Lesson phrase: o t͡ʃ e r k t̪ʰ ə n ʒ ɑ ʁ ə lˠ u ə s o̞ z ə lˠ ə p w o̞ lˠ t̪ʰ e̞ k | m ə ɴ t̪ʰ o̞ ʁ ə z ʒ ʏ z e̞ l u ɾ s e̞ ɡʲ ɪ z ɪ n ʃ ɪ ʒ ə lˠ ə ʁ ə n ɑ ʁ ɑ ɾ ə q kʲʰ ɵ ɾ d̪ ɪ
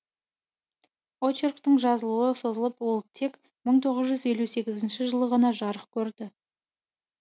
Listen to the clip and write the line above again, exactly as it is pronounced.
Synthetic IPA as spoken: o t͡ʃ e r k t̪ ə ɴ ʒ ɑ z ə lˠ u ə s o̞ z ə lˠ ə p w o̞ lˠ t̪ʰ e̞ k | m ə ɴ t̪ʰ o̞ ʁ ə z ʒ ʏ z e̞ l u s e̞ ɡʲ ɪ z ɪ n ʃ ɪ ʒ ə lˠ ə ʁ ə n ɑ ʒ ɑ ɾ ə q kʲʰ ɵ ɾ d̪ ɪ